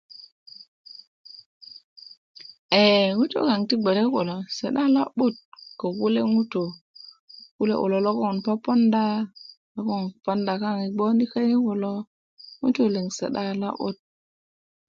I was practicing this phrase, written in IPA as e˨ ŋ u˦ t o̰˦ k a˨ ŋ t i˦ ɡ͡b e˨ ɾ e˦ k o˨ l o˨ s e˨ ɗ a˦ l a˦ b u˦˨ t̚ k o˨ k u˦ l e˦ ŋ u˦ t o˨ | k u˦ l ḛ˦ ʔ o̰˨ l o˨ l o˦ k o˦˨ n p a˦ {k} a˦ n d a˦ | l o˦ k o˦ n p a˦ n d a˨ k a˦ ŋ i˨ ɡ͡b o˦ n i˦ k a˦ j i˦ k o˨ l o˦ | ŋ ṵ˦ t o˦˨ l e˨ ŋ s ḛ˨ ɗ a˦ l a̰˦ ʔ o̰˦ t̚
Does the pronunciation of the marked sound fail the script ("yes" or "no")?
yes